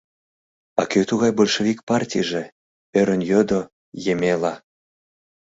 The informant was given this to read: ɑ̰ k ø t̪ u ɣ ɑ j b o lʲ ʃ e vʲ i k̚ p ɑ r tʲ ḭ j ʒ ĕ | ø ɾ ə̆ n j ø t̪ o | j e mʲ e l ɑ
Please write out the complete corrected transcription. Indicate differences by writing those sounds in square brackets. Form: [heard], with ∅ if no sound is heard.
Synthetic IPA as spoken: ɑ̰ k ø t̪ u ɣ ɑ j b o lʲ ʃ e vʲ i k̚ p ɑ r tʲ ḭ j ʒ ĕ | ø ɾ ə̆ n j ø [d̪] o | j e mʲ e l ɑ